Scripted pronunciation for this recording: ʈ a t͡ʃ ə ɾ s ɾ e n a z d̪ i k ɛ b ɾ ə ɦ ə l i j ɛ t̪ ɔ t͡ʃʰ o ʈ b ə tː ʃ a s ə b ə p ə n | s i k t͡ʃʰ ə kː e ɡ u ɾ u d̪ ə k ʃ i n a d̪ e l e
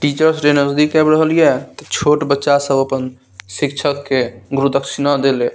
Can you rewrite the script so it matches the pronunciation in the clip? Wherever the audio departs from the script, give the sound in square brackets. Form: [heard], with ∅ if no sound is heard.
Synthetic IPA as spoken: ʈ [i] t͡ʃ ə ɾ s ɾ e n [ə] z d̪ i k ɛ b ɾ ə ɦ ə l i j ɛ t̪ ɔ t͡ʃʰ o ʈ b ə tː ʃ a s ə b ə p ə n | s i k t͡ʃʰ ə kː e ɡ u ɾ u d̪ ə k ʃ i n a d̪ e l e